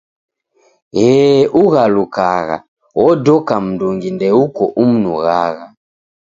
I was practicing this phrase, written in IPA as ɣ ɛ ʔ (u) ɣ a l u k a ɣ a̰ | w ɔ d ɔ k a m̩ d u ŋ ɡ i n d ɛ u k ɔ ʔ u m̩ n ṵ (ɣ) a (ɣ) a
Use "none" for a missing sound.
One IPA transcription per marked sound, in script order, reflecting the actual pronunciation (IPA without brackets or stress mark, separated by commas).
u, ɣ, ɣ